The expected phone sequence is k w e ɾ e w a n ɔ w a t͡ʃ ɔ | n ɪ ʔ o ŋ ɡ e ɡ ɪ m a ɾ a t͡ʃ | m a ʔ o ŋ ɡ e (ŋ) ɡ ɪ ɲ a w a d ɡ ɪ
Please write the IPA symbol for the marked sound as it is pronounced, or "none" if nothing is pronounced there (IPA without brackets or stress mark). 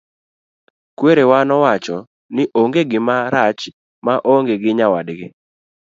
none